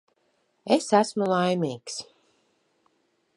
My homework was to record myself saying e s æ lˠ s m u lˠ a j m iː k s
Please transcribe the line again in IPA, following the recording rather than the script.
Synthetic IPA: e s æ s m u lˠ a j m iː k s